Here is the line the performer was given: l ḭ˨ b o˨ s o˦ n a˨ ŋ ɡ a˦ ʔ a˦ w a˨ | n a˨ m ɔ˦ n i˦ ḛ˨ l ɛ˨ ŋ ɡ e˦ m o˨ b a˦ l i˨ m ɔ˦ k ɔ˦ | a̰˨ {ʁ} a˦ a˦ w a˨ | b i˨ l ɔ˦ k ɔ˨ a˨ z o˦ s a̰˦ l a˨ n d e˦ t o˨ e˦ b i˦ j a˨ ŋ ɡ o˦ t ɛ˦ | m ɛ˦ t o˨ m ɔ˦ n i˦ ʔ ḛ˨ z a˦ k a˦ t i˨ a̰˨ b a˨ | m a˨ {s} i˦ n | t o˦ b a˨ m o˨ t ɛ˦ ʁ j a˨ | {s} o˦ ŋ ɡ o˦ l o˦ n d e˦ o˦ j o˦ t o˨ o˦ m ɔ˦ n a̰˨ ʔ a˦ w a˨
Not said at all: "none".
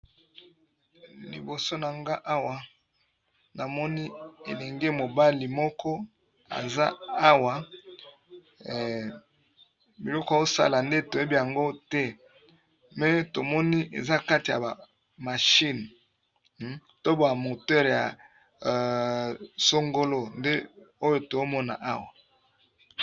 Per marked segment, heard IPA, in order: z, ʃ, s

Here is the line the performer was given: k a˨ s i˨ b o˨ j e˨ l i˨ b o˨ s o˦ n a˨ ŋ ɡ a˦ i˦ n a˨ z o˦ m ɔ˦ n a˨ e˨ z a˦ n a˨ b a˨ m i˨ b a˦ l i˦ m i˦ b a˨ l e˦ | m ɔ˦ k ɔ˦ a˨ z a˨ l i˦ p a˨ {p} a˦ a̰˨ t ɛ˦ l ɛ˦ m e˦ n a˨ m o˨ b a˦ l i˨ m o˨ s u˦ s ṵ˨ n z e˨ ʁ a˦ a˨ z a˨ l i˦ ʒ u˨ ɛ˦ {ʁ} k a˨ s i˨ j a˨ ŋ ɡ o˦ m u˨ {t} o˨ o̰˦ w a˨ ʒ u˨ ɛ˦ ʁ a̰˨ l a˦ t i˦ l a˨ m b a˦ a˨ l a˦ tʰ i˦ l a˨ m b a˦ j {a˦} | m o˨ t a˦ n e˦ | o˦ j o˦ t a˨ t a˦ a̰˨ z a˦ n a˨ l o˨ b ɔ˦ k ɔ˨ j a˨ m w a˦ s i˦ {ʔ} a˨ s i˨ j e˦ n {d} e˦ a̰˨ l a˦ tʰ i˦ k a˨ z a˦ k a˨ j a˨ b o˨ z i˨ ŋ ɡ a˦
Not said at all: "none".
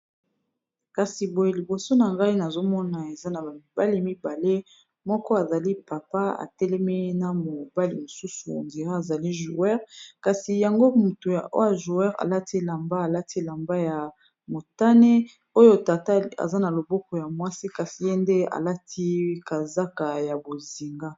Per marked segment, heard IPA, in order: p, ʁ, t, a˨, k, d

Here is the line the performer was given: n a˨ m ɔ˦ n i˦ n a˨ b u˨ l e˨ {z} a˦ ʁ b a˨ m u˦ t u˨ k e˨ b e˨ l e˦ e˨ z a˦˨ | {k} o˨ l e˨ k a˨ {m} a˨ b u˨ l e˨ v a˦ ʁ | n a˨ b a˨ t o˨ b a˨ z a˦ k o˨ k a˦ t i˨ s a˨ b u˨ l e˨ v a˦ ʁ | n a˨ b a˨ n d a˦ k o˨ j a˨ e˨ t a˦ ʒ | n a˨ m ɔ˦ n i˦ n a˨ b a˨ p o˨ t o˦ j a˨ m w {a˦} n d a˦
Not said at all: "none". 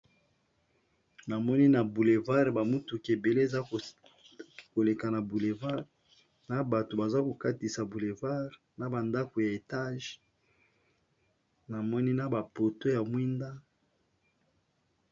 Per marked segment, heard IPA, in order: v, k, n, i˦

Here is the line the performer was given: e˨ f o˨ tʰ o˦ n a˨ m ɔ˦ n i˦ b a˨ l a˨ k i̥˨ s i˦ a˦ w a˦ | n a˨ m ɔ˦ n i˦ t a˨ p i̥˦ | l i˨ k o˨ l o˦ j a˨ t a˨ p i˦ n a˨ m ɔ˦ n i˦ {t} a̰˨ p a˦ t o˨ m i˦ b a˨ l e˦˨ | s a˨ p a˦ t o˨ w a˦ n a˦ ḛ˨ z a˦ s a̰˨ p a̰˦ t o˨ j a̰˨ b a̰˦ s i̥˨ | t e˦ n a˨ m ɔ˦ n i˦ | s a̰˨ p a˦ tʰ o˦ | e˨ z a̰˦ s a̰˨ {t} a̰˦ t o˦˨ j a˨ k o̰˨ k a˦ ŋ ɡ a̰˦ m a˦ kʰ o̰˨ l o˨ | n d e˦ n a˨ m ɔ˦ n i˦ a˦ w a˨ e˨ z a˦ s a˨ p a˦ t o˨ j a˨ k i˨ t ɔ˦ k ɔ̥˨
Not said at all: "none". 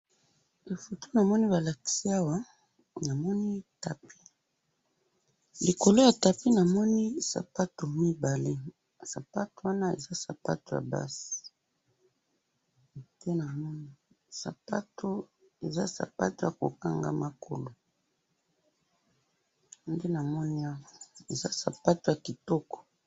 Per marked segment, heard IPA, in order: s, p

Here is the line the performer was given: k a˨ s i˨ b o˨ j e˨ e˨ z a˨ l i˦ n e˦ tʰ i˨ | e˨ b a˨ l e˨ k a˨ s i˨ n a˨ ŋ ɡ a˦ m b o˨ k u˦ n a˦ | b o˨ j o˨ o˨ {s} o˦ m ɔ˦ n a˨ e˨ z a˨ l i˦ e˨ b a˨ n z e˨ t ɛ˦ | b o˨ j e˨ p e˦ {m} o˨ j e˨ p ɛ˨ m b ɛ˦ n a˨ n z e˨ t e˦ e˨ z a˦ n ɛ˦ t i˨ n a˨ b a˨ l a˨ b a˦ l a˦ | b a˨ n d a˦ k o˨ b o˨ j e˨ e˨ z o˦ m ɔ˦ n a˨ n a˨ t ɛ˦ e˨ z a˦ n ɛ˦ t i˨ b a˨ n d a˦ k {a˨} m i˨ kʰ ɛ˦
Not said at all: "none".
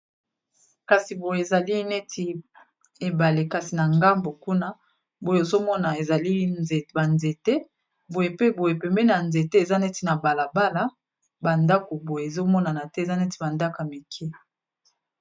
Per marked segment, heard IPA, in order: z, b, a˨

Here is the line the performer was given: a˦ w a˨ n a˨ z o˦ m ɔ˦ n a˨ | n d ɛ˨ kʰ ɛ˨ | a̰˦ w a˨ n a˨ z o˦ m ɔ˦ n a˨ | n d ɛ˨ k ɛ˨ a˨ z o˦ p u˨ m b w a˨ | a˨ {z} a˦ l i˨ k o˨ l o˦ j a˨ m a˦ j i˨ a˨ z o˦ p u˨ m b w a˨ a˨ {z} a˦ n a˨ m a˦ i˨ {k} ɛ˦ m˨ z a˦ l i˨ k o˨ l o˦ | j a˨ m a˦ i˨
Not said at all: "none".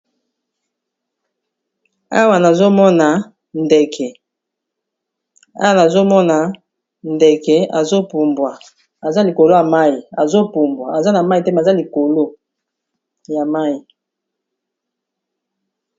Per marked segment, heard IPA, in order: z, z, t

